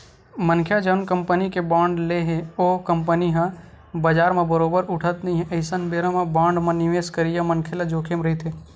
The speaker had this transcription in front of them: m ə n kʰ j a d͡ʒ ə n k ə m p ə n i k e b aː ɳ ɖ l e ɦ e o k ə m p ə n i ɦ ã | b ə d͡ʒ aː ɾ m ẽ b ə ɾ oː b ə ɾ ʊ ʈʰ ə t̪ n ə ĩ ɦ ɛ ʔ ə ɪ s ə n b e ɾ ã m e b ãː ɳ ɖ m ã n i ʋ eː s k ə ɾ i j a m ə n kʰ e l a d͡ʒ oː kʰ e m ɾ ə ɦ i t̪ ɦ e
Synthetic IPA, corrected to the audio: m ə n kʰ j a d͡ʒ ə n k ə m p ə n i k e b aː ɳ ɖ l e ɦ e o k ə m p ə n i ɦ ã | b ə d͡ʒ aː ɾ m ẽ b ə ɾ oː b ə ɾ ʊ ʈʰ ə t̪ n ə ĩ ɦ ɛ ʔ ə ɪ s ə n b e ɾ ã m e b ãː ɳ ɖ m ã n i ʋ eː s k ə ɾ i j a m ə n kʰ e l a d͡ʒ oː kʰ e m ɾ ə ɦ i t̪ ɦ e